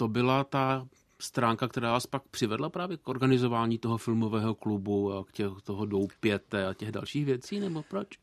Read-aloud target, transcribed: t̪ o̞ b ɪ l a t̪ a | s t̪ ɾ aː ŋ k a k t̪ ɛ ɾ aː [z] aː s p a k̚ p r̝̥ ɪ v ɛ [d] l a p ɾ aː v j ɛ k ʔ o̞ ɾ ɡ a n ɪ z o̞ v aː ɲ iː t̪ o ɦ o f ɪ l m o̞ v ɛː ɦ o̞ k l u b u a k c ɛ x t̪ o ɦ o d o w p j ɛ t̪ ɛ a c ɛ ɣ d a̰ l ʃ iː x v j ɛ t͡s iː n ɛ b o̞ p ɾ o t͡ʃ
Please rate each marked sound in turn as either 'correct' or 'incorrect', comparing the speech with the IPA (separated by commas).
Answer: incorrect, correct